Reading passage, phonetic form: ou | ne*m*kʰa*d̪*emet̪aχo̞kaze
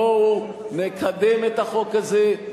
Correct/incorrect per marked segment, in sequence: incorrect, correct

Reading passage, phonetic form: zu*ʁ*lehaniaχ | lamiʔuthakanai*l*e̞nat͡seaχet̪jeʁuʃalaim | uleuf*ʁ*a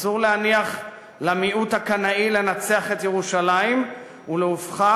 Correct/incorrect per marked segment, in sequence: correct, correct, incorrect

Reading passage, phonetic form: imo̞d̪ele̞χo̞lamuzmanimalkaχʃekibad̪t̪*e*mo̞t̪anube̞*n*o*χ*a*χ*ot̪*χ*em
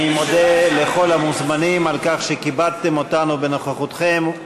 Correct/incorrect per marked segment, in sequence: correct, correct, correct, correct, correct

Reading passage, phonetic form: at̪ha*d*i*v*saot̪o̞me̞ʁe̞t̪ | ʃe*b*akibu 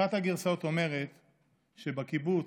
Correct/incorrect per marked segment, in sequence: incorrect, incorrect, correct

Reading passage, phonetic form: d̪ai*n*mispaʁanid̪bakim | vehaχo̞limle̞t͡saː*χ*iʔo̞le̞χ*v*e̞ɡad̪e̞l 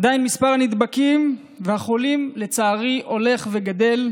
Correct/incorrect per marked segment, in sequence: correct, incorrect, correct

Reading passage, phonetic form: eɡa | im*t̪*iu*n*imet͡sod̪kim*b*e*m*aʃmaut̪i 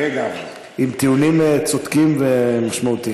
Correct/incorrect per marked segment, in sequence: correct, correct, incorrect, correct

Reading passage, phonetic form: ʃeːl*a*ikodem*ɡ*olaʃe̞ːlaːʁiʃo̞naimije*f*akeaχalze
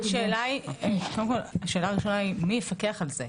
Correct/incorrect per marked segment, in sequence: correct, incorrect, correct

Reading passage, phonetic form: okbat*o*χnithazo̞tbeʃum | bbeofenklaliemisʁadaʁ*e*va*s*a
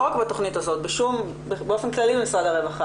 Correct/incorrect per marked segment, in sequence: correct, correct, incorrect

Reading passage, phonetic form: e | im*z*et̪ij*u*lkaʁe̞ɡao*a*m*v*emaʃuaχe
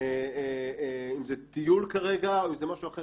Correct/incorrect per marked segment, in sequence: correct, correct, incorrect, incorrect

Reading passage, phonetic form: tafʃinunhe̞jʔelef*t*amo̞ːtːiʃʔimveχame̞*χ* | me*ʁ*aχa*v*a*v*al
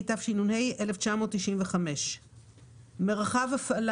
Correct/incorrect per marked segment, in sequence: incorrect, incorrect, correct, correct, incorrect

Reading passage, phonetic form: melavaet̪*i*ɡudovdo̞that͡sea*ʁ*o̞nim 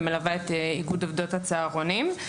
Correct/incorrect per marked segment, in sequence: correct, correct

